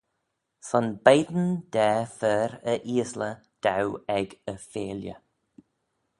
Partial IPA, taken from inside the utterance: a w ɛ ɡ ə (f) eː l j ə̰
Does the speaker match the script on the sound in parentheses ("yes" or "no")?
yes